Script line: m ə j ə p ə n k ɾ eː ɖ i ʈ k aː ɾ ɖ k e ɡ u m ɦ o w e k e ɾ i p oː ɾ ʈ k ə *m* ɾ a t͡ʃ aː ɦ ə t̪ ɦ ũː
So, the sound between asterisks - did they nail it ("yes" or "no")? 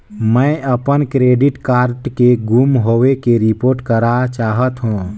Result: no